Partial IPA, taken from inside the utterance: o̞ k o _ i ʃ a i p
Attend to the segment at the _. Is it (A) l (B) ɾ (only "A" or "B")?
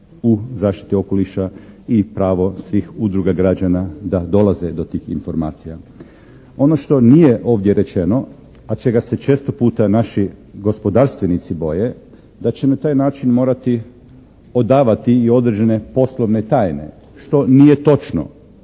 A